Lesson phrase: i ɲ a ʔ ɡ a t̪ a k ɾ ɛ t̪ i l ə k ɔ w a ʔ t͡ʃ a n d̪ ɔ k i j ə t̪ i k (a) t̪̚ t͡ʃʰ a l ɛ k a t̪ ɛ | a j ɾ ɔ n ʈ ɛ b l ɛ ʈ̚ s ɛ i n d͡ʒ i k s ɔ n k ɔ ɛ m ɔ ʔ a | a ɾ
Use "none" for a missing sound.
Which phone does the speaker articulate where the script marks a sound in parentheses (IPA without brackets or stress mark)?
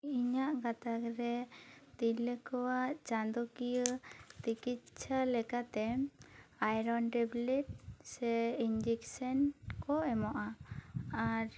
i